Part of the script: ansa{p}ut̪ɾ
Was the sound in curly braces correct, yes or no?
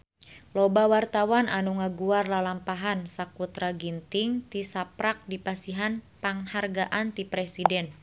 no